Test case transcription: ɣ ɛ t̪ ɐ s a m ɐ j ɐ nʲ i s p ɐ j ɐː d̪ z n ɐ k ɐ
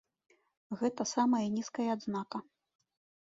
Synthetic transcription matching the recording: ɣ ɛ t̪ ɐ s a m ɐ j ɐ nʲ i s k ɐ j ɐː d̪ z n a k ɐ